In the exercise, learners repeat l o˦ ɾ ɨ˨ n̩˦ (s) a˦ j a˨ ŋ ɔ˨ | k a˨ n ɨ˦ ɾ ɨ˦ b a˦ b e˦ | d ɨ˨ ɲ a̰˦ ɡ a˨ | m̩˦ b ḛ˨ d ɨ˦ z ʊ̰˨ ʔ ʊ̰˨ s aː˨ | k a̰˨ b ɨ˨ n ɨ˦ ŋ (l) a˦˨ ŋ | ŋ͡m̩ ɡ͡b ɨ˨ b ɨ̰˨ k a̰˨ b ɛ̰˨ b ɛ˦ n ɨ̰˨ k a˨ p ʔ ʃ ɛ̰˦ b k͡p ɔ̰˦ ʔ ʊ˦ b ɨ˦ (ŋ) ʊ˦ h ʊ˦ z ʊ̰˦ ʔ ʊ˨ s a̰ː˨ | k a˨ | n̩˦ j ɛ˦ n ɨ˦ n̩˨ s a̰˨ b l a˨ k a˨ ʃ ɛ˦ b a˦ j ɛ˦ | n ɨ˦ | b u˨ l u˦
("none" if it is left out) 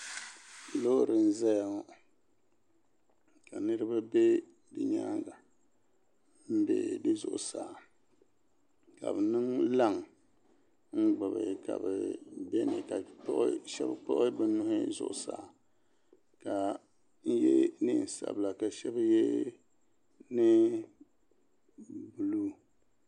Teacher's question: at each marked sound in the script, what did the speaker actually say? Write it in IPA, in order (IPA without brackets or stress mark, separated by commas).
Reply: z, l, n